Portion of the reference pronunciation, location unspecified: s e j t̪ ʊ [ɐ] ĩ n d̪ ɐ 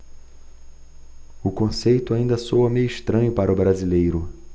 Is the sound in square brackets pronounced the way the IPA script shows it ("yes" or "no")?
no